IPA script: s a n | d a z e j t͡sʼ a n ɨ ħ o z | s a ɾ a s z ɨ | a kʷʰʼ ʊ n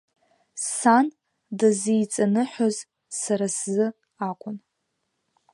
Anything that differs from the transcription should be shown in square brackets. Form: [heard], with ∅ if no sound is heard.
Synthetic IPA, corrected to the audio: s a n | d a z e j t͡sʼ a n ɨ ħ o z | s a ɾ a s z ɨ | a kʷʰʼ ʊ n